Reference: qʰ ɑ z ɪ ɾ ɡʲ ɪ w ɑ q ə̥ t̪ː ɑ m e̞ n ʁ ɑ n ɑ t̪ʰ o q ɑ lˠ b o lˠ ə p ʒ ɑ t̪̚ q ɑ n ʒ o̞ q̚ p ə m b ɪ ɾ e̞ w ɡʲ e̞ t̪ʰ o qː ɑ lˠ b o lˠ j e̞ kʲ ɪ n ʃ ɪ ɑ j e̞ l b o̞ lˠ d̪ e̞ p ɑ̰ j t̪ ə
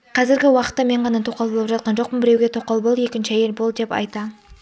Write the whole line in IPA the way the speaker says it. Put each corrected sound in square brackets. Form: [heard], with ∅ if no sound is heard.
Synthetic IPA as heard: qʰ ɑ z ɪ ɾ ɡʲ ɪ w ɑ q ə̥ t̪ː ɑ m e̞ [ɴ] ʁ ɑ n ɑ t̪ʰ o q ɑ lˠ b o lˠ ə p ʒ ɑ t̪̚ q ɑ n ʒ o̞ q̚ p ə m b ɪ ɾ e̞ w ɡʲ e̞ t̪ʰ o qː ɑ lˠ b o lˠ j e̞ kʲ ɪ n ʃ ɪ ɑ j e̞ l b o̞ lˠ d̪ e̞ p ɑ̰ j t̪ [ɑ]